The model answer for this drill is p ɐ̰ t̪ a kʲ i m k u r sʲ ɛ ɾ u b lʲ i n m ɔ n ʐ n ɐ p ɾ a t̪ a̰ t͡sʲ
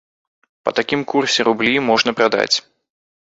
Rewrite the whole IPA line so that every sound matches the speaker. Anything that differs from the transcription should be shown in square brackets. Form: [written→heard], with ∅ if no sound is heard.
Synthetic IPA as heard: p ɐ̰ t̪ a kʲ i m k u r sʲ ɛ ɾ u b lʲ i [n→∅] m ɔ [n→∅] ʐ n ɐ p ɾ a [t̪→d̪] a̰ t͡sʲ